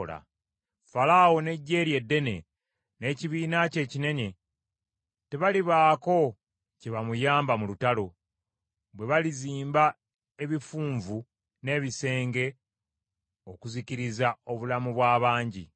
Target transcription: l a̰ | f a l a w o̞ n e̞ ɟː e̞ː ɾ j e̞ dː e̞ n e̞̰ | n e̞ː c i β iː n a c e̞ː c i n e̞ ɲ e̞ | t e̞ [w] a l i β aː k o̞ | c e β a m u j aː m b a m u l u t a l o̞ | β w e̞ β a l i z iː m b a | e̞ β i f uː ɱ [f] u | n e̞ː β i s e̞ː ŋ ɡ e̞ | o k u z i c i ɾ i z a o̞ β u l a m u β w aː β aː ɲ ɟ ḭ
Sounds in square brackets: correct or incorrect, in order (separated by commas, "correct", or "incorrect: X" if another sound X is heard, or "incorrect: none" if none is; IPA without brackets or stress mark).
incorrect: β, incorrect: v